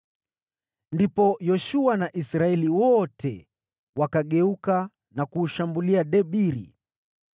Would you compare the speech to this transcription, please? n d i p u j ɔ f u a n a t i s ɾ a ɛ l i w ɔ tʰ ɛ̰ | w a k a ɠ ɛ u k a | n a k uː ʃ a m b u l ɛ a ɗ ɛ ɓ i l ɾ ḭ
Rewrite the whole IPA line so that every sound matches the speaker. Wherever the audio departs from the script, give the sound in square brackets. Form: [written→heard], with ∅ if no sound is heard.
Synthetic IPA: n d i p [u→ɔ] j ɔ [f→ʃ] u a n a [t→ʔ] i s ɾ a ɛ l i w ɔ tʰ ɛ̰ | w a k a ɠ ɛ u k a | n a k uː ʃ a m b u l [ɛ→i] a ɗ ɛ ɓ i [l→∅] ɾ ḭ